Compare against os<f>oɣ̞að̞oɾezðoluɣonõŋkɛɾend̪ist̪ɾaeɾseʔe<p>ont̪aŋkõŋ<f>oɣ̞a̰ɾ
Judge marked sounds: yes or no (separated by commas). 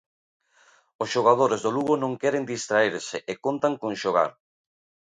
no, no, no